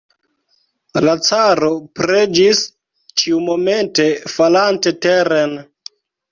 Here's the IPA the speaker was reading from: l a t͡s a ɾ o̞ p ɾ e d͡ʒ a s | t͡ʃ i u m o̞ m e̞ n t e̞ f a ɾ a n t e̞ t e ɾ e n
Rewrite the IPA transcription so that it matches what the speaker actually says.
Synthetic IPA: l a t͡s a ɾ o̞ p ɾ e d͡ʒ i s | t͡ʃ i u m o̞ m e̞ n t e̞ f a l a n t e̞ t e ɾ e n